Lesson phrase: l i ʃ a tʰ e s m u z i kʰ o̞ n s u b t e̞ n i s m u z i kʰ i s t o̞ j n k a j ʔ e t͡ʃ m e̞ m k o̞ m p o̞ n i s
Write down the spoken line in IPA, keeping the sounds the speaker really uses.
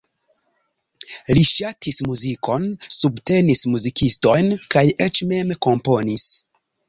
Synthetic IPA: l i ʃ a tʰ i s m u z i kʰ o̞ n s u b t e̞ n i s m u z i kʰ i s t o̞ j n k a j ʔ e t͡ʃ m e̞ m k o̞ m p o̞ n i s